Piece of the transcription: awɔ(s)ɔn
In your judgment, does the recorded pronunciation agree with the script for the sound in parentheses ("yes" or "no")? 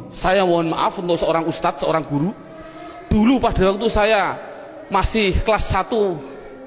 no